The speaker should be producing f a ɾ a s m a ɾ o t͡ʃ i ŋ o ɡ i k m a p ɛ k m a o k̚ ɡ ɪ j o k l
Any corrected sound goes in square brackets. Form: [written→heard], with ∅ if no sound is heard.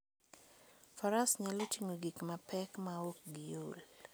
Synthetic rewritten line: f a ɾ a s [m→ɲ] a [ɾ→l] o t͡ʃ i ŋ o ɡ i k m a p ɛ k m a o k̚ ɡ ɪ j o [k→∅] l